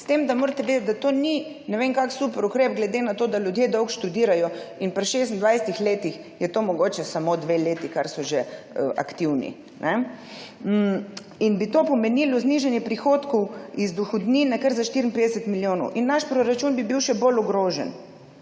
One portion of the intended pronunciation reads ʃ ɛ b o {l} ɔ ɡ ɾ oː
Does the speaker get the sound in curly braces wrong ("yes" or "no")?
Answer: no